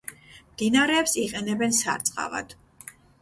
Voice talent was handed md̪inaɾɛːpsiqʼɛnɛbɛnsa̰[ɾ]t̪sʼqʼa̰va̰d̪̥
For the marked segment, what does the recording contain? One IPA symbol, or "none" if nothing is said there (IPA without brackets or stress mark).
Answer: ɾ